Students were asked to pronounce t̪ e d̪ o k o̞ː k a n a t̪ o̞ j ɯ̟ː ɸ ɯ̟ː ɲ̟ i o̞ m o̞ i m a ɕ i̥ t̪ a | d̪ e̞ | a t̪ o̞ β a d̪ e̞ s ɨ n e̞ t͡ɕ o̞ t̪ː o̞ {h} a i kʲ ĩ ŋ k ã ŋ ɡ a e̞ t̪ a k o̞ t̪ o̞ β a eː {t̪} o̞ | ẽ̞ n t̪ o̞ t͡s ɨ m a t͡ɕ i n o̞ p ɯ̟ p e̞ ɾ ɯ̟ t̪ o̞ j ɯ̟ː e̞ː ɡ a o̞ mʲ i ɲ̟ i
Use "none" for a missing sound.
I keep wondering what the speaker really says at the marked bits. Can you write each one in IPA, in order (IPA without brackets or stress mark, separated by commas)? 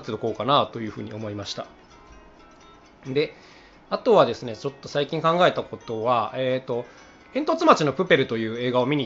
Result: s, t̪